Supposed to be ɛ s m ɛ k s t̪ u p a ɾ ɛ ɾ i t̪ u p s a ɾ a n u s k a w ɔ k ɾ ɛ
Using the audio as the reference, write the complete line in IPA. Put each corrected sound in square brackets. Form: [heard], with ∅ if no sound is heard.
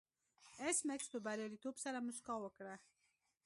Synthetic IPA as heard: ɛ s m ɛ k s t̪ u [b] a ɾ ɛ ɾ i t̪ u p s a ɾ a [m] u s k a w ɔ k ɾ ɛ

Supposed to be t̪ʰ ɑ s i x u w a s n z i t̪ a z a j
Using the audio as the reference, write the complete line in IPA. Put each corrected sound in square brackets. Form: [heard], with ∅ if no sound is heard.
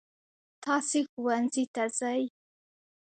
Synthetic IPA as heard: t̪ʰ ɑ s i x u w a [∅] n z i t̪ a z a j

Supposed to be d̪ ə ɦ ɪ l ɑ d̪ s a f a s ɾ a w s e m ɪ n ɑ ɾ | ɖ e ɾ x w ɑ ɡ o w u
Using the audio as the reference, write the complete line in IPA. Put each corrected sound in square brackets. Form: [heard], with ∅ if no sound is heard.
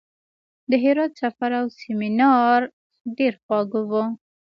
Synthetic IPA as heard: d̪ ə ɦ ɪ [ɾ] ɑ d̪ s a f a [∅] ɾ a w s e m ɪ n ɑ ɾ | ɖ e ɾ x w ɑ ɡ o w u

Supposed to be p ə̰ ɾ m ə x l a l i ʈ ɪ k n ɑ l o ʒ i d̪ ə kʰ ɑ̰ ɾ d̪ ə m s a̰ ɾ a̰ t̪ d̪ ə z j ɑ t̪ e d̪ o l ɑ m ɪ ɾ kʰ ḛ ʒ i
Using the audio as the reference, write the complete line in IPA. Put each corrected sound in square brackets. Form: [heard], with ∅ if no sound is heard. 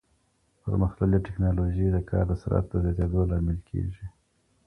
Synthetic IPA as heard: p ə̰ ɾ m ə x l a l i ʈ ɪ k n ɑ l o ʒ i d̪ ə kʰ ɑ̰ ɾ d̪ ə [∅] s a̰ ɾ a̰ t̪ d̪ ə z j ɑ t̪ e d̪ o l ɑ m ɪ [l] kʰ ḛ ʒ i

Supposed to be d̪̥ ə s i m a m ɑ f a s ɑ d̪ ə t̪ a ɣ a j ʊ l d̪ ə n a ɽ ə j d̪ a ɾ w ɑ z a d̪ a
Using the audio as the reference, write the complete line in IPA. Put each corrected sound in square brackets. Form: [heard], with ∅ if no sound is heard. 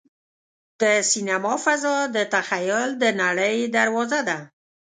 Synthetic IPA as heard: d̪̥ ə s i [n] a m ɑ f a [z] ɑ d̪ ə t̪ a [x] a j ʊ l d̪ ə n a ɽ ə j d̪ a ɾ w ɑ z a d̪ a

